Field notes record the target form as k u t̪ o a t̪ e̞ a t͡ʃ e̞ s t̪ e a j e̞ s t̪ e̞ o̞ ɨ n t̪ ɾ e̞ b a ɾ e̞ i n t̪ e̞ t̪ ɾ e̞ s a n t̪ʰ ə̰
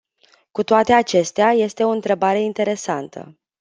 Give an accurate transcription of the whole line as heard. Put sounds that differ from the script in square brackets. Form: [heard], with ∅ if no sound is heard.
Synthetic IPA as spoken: k u t̪ o a t̪ e̞ a t͡ʃ e̞ s t̪ e a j e̞ s t̪ e̞ o̞ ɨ n t̪ ɾ e̞ b a ɾ e̞ i n t̪ e̞ [∅] ɾ e̞ s a n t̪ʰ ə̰